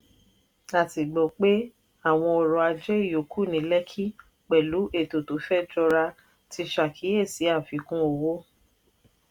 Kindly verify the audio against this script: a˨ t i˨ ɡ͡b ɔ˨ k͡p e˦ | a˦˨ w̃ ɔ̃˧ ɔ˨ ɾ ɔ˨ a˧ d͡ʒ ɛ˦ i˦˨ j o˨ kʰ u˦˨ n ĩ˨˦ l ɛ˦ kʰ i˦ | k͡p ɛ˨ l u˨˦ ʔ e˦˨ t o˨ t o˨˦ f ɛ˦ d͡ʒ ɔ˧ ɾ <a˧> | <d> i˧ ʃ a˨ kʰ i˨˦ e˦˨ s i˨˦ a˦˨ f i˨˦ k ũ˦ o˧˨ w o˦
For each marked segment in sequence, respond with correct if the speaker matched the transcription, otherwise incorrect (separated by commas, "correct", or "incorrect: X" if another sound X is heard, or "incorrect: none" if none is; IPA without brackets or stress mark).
correct, incorrect: t